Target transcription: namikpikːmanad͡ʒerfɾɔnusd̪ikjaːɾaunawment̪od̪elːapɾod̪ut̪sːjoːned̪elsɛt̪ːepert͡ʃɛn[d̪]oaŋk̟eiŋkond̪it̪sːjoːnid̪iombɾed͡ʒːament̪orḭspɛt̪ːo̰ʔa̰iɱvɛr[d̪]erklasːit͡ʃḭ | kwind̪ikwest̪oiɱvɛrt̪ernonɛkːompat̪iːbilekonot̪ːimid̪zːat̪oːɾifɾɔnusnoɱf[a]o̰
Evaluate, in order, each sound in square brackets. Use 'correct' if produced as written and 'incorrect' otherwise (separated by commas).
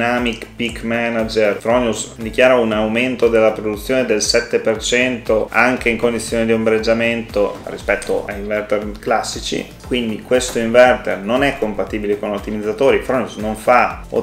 incorrect, incorrect, correct